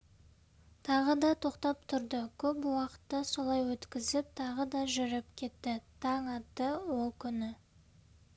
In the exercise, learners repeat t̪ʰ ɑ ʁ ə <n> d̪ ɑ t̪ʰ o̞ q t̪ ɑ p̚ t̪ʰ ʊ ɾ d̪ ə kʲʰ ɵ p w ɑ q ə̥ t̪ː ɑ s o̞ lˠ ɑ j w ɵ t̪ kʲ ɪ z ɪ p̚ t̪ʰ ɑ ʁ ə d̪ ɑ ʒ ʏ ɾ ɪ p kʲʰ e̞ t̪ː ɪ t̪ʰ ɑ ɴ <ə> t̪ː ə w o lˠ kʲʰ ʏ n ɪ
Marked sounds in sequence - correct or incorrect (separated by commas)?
incorrect, incorrect